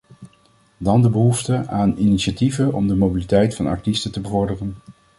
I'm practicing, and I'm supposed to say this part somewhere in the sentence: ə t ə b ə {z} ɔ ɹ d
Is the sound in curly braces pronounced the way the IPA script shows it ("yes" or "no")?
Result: no